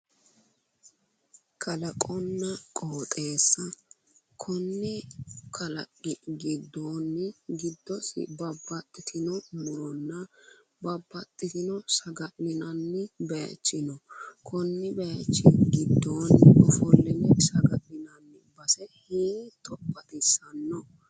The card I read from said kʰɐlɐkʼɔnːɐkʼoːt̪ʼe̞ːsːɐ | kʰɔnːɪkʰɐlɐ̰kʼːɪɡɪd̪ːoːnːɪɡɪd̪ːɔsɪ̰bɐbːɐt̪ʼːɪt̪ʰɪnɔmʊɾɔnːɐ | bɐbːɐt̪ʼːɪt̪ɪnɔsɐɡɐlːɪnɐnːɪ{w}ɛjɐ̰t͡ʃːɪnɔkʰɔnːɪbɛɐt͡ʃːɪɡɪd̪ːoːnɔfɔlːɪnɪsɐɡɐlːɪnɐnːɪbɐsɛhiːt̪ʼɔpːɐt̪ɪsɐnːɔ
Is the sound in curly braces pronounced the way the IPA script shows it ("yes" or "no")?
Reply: no